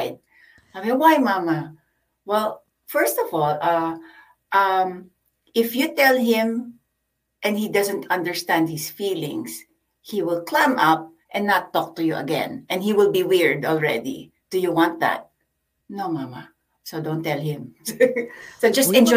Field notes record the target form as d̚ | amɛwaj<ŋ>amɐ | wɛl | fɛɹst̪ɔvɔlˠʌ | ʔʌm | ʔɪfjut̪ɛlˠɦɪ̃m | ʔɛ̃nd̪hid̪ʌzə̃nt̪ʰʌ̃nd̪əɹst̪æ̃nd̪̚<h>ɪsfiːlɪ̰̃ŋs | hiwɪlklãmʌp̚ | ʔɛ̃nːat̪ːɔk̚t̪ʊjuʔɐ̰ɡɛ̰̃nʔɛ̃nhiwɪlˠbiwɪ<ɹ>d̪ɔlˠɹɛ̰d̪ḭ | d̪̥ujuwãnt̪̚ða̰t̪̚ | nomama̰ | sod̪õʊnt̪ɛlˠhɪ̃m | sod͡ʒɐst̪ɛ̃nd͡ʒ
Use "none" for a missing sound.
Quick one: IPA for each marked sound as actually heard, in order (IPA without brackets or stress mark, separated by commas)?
m, h, ɹ